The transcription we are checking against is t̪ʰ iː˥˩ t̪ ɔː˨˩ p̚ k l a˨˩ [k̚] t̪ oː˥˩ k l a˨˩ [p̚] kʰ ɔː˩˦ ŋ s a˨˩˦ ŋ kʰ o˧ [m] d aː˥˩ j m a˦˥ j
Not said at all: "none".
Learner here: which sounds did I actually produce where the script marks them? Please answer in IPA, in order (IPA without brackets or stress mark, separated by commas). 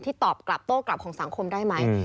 p̚, p̚, m